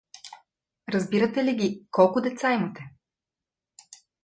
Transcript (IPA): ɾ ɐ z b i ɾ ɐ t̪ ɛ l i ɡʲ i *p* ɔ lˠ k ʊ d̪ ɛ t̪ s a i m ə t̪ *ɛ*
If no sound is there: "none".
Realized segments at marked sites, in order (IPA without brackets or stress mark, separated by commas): k, ɛ